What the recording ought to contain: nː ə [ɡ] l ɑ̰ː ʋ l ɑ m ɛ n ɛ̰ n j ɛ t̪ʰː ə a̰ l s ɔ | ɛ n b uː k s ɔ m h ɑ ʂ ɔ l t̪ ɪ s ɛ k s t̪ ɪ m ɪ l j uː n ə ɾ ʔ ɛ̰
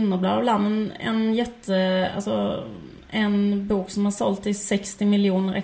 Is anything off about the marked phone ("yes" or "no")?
yes